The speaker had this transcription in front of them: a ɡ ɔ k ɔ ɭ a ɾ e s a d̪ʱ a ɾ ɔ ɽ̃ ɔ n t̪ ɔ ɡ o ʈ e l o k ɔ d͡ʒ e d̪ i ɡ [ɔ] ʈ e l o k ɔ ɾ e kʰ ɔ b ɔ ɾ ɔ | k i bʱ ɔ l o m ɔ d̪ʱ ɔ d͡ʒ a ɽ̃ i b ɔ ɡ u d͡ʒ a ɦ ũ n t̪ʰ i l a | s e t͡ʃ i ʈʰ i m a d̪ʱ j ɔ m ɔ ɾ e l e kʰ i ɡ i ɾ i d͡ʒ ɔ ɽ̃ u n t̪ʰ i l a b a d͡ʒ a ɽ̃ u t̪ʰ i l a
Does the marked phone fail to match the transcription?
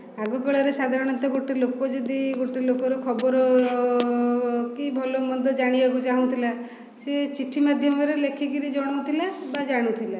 yes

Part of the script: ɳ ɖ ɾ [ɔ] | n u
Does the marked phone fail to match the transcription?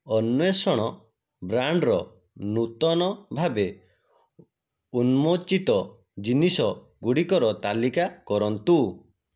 no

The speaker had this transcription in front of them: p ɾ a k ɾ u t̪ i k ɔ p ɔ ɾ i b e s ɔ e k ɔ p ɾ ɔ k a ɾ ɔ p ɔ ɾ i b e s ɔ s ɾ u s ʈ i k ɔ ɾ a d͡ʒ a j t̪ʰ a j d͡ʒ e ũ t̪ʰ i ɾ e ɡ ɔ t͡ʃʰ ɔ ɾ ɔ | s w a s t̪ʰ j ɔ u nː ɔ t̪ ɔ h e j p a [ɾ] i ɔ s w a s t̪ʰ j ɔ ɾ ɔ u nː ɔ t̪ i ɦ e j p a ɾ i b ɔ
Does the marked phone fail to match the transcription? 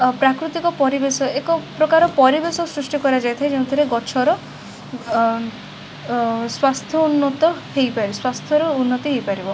no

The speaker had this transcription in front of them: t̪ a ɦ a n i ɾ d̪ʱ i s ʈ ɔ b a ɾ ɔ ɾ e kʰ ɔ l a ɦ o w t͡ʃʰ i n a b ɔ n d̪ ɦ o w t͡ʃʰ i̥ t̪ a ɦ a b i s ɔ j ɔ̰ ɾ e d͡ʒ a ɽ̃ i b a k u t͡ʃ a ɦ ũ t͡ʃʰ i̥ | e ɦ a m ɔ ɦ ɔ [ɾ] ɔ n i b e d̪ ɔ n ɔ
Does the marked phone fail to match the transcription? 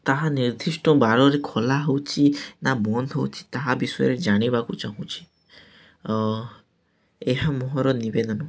no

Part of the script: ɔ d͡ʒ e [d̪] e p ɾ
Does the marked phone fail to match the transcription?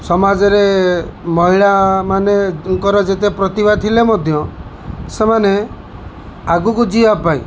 yes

